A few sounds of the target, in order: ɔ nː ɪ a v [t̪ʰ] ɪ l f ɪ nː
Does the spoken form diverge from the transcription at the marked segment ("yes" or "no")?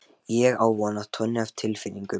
no